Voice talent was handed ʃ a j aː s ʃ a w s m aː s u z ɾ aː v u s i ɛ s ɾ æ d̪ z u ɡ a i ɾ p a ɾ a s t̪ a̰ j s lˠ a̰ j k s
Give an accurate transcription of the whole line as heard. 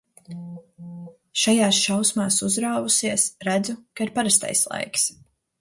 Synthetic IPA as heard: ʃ a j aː s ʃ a w s m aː s u z ɾ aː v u s i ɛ s ɾ æ d̪ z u k a i ɾ p a ɾ a s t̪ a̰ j s lˠ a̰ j k s